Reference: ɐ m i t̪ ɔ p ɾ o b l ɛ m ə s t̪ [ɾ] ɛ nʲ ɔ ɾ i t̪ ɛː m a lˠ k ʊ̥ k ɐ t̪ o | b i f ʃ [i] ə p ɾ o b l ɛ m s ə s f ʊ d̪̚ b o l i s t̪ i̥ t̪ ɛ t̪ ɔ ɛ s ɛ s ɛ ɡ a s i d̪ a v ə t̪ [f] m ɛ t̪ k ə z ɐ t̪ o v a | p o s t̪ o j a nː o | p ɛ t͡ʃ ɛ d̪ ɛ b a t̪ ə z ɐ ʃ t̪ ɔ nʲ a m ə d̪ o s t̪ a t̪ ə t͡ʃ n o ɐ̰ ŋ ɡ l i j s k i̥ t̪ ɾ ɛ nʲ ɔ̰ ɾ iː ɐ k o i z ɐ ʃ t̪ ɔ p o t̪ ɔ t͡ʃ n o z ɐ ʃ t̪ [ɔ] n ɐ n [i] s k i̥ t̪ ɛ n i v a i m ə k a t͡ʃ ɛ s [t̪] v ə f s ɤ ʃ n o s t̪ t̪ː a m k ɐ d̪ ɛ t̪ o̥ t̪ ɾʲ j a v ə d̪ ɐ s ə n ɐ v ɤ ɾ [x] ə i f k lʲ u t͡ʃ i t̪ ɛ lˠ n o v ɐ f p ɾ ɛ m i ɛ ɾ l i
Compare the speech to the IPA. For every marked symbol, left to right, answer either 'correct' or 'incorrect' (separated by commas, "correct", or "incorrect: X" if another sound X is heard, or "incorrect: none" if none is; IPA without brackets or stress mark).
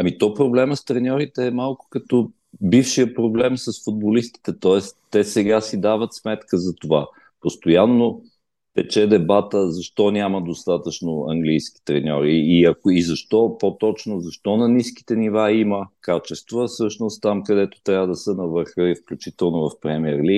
correct, correct, incorrect: s, correct, correct, correct, correct